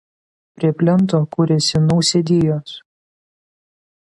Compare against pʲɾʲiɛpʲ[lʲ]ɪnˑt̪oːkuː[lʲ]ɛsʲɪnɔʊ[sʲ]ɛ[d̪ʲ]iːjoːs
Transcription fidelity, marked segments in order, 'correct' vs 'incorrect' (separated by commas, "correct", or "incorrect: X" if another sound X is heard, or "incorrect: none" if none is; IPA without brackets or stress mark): correct, incorrect: ɾʲ, correct, correct